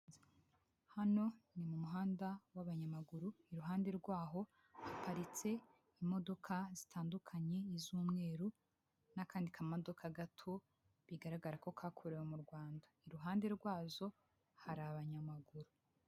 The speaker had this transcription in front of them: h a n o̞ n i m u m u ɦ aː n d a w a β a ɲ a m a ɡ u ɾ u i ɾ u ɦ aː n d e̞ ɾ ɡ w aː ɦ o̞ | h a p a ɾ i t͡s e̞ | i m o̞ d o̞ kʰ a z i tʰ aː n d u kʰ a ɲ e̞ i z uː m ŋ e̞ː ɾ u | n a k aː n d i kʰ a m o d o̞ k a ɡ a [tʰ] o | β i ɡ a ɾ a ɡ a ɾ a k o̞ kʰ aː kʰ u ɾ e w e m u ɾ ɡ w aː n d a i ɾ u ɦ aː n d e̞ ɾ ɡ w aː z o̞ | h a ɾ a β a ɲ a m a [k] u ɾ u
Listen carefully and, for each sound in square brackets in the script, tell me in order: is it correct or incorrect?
correct, incorrect: ɡ

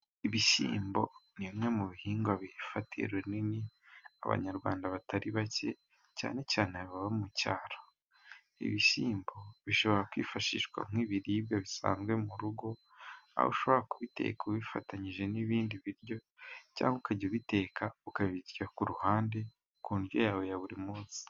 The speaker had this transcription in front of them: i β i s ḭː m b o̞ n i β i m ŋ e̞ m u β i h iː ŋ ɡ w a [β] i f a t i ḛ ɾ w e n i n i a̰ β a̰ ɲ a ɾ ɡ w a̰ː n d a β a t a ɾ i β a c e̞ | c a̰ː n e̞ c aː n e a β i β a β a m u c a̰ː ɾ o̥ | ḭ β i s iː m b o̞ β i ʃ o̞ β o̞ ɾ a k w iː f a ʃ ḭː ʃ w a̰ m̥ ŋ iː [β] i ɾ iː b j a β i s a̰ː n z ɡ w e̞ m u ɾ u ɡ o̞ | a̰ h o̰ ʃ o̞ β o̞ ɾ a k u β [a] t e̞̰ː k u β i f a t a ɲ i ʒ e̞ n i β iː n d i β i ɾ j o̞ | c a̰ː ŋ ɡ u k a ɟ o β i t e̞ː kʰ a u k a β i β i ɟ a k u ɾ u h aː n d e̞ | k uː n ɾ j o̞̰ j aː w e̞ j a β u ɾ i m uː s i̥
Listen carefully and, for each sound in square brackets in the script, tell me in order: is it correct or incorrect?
correct, correct, incorrect: i

